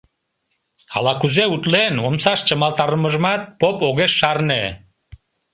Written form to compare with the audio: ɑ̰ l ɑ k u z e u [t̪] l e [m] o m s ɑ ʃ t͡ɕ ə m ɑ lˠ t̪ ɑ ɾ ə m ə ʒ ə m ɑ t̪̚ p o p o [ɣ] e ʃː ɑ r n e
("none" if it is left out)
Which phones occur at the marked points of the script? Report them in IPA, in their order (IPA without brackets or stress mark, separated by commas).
t̪, n, ɣ